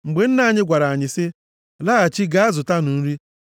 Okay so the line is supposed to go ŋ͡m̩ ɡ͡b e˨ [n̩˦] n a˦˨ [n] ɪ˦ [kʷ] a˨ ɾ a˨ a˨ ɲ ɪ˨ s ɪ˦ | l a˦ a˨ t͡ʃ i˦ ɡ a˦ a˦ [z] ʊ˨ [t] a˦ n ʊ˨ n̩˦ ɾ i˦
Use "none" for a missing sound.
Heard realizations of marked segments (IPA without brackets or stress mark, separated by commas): n̩˦, ɲ, ɡʷ, z, t